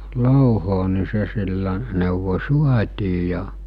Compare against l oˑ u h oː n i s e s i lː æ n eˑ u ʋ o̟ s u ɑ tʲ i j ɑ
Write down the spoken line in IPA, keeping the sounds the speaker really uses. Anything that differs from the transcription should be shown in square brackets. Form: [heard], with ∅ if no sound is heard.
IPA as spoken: l oˑ u h oː n i s e s i lː æ n eˑ u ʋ o̟ s u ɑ tʲ [iː] j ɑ